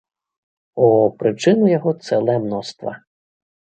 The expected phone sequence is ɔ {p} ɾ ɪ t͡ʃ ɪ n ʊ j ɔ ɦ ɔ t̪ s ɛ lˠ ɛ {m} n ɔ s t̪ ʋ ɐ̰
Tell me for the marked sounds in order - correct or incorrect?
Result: correct, correct

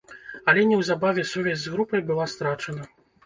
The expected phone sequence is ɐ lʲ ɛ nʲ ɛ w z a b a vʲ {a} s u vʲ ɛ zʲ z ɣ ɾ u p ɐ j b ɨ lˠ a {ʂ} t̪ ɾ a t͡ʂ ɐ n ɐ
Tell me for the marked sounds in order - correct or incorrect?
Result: incorrect, incorrect

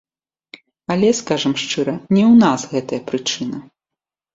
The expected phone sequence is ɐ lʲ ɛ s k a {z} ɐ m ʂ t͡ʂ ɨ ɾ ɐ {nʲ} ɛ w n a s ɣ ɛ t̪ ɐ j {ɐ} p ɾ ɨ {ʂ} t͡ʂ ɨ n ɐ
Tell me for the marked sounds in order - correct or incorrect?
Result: incorrect, correct, correct, incorrect

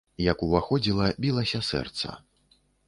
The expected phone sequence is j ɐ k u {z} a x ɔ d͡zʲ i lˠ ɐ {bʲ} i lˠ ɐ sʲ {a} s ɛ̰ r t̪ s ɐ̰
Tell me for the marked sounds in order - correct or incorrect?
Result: incorrect, correct, incorrect

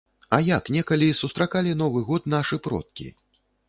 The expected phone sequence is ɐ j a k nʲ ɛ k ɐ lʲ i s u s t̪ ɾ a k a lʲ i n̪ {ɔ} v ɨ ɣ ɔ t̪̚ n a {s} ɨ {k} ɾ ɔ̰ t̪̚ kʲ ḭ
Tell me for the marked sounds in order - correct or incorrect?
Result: correct, incorrect, incorrect

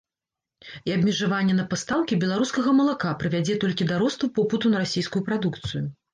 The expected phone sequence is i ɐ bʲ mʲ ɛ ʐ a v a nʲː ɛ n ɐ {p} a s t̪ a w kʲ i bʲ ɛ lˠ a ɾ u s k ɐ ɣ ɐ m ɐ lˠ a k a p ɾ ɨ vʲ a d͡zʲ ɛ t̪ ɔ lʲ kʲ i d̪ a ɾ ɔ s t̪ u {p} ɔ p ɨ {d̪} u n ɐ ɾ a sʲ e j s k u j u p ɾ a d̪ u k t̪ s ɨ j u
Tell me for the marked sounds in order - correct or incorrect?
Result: correct, correct, incorrect

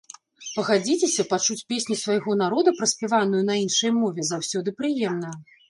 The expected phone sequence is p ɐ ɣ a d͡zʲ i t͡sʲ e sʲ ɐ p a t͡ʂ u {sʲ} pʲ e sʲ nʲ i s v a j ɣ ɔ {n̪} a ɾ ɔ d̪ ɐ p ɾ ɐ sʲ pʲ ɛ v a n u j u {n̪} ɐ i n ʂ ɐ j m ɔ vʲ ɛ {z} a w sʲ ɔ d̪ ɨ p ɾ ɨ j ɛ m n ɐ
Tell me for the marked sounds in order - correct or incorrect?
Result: incorrect, correct, correct, correct

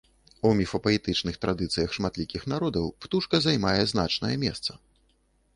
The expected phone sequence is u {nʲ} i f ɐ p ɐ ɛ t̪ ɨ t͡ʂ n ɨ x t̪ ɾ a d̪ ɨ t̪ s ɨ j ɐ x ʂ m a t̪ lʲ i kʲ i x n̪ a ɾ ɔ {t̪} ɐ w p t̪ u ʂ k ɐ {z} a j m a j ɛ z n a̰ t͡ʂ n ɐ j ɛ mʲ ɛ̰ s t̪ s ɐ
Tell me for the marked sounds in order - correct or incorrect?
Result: incorrect, incorrect, correct

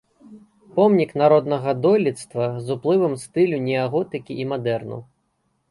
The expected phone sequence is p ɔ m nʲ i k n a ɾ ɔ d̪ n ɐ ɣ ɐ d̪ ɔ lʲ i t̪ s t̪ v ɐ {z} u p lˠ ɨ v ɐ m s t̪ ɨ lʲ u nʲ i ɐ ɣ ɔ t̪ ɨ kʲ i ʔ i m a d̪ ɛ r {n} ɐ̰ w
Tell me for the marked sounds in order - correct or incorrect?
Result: correct, correct

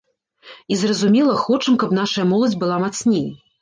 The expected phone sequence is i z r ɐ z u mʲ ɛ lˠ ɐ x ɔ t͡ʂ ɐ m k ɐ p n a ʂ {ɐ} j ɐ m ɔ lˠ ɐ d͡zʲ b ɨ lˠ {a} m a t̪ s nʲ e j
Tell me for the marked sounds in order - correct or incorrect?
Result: correct, correct

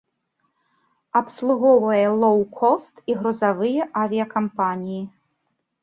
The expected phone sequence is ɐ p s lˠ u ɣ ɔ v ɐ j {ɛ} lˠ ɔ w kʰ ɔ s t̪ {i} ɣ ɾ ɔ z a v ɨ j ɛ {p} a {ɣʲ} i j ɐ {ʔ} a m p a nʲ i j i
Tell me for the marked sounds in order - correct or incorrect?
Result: correct, correct, incorrect, incorrect, incorrect

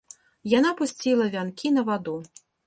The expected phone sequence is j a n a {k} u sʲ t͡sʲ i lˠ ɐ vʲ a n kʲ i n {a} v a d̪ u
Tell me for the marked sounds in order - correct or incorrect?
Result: incorrect, incorrect

